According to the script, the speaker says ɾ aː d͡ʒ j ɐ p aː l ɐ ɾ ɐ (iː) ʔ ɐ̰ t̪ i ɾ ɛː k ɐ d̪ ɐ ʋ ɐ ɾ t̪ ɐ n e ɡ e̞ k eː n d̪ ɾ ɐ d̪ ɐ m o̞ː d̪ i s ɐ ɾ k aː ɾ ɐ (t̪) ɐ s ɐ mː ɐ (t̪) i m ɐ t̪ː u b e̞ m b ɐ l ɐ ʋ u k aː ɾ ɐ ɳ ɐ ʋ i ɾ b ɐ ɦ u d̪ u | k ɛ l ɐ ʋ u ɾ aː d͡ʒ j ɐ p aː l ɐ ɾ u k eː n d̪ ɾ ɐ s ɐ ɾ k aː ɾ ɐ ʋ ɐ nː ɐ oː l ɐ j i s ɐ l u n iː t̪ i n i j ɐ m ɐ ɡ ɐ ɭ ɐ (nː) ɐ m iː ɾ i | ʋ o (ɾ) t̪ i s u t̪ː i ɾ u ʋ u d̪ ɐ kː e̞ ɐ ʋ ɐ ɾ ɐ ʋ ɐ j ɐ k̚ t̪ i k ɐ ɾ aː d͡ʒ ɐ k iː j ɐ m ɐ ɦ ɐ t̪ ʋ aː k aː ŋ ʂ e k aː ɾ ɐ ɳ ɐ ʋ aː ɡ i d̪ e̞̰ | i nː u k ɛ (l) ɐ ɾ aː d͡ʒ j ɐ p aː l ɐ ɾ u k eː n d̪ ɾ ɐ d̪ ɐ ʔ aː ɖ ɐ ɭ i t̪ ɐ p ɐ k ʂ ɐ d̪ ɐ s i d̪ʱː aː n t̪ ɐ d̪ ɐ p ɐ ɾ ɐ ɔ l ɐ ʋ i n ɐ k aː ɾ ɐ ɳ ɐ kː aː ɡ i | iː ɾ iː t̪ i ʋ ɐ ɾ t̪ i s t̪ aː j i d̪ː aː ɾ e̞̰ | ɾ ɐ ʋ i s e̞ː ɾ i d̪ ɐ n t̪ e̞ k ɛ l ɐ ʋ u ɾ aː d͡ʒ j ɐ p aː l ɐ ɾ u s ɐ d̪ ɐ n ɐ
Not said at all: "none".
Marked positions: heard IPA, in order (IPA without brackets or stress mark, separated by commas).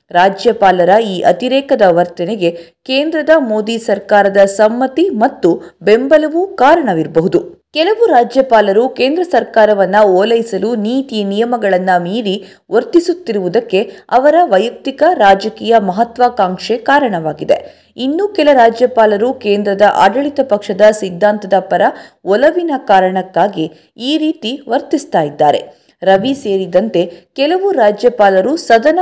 iː, d̪, t̪, nː, ɾ, l